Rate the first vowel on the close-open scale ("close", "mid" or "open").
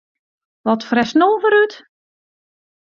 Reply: mid